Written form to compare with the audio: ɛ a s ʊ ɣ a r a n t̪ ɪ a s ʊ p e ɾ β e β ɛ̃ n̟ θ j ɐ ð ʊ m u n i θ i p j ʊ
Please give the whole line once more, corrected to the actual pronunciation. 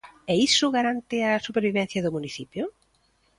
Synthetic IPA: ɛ i s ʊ ɣ a ɾ a n t̪ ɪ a s u p e ɾ β i β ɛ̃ n̟ θ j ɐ ð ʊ m u n i θ i p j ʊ